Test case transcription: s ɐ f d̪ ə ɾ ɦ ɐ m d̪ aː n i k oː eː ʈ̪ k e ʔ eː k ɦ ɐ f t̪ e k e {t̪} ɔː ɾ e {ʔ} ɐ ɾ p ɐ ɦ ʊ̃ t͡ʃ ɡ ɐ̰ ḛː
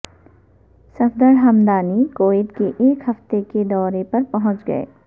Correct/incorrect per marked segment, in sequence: incorrect, incorrect

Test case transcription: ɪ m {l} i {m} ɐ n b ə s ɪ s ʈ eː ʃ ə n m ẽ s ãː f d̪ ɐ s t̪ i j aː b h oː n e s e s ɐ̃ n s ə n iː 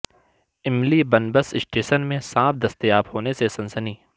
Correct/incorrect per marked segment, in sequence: correct, incorrect

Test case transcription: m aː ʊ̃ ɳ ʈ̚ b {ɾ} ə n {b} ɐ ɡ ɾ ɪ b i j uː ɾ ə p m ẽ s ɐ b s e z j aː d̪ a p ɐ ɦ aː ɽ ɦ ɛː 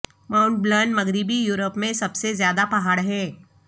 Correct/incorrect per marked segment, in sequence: incorrect, incorrect

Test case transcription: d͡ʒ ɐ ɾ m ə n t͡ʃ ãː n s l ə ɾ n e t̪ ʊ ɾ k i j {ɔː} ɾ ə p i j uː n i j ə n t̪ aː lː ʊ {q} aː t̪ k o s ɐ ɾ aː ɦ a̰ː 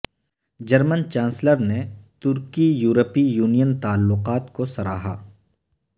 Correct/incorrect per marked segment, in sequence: incorrect, correct

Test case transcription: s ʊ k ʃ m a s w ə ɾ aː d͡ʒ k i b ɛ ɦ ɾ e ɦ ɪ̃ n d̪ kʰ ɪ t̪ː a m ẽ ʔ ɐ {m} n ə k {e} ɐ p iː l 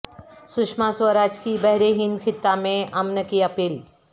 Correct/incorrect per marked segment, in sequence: correct, incorrect

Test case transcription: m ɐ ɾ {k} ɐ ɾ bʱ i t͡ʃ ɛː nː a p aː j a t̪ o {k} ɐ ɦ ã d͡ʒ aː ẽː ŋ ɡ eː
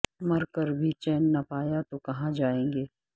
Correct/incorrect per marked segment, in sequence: correct, correct

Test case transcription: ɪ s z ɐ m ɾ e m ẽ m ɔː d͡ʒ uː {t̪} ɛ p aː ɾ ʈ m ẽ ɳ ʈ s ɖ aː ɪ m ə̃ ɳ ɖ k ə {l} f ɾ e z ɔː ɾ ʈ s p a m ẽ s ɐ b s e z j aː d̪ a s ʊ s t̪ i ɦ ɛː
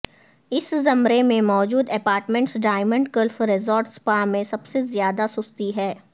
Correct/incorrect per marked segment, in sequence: incorrect, correct

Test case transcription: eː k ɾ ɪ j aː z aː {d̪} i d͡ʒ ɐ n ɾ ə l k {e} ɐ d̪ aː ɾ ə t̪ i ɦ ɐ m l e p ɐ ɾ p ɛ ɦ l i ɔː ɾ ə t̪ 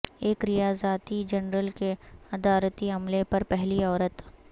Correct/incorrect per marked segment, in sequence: incorrect, correct

